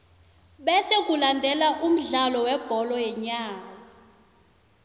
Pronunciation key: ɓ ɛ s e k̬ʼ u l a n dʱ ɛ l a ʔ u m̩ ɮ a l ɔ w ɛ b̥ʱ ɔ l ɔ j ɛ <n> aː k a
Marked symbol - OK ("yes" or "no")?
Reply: no